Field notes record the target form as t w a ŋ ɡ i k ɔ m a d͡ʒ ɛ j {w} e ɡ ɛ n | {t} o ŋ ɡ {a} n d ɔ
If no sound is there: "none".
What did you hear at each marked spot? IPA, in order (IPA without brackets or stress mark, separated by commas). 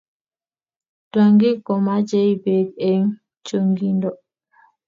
b, t͡ʃ, i